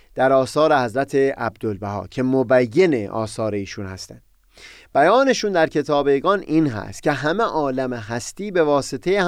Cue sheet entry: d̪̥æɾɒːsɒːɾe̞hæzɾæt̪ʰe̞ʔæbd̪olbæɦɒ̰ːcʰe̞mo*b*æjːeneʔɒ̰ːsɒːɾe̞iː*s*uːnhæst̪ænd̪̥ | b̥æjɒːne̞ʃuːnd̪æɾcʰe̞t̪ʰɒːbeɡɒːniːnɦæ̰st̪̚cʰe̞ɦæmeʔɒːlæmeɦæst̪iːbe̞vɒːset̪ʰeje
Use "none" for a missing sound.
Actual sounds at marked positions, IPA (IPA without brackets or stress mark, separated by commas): b, ʃ